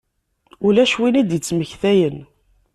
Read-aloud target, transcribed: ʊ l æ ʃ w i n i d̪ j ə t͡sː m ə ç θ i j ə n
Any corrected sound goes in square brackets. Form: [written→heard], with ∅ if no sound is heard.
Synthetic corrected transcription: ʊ l æ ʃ w i n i d̪ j ə t͡sː m ə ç θ [i→æ] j ə n